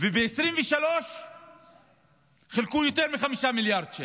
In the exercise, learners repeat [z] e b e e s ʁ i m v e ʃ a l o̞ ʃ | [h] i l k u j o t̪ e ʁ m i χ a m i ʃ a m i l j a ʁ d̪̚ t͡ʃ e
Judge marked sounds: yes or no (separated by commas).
no, no